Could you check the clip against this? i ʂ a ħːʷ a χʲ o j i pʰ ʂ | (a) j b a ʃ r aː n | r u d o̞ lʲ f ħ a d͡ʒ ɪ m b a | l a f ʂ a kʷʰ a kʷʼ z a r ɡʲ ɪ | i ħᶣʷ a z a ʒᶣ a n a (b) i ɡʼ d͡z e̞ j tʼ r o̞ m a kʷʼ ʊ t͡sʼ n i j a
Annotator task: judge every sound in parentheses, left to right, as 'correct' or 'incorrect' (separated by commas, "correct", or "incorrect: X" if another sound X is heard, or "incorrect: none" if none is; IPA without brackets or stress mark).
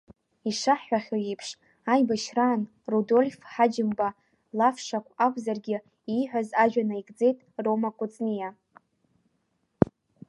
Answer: correct, incorrect: none